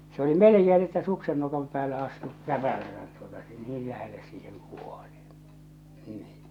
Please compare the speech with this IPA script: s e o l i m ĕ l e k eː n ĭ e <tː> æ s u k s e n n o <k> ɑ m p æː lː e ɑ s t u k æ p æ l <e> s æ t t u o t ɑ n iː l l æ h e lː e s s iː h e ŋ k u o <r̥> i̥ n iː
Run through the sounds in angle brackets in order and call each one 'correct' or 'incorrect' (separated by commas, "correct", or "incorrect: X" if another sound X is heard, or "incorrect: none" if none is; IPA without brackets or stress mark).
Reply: correct, correct, incorrect: æ, incorrect: l̥